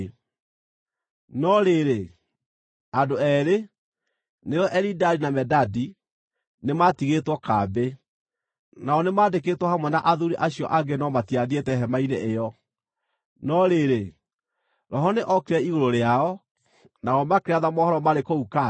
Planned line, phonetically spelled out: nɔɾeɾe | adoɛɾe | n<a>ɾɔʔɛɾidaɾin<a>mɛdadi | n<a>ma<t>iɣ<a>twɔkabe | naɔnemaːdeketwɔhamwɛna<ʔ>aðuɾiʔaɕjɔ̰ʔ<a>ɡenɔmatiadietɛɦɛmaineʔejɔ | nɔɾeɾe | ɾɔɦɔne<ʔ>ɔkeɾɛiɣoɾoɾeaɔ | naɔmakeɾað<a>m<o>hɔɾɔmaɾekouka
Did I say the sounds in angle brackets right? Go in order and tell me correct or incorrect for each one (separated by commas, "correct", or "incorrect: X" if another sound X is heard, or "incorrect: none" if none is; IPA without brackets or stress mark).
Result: incorrect: e, correct, incorrect: e, correct, incorrect: e, correct, correct, correct, correct, incorrect: ɔ